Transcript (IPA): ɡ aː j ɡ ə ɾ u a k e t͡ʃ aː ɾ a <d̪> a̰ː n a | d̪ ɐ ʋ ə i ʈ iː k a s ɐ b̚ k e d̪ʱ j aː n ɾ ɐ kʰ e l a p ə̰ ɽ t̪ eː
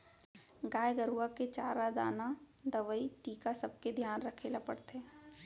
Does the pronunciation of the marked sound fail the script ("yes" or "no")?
no